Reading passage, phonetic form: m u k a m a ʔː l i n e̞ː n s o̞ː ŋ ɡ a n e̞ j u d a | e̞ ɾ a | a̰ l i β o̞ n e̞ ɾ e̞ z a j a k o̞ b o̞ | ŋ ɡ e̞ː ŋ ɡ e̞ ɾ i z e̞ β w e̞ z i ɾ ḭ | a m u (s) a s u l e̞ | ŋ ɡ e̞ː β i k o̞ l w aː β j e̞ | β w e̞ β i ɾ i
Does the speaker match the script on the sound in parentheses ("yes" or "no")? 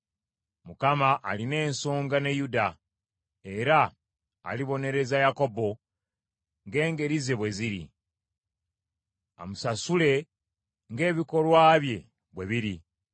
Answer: yes